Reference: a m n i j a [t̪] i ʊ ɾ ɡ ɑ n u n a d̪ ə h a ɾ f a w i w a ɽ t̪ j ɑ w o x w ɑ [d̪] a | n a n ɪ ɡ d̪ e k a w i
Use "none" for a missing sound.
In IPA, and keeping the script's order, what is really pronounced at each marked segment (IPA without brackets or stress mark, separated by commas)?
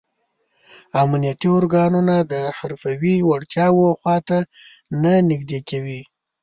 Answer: t̪, t̪